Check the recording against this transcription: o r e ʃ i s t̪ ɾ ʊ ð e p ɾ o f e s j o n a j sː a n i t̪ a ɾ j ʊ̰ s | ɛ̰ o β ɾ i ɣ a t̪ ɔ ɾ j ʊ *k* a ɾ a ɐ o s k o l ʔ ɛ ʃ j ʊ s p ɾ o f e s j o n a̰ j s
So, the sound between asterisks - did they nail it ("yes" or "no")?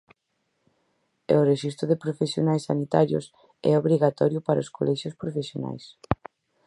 no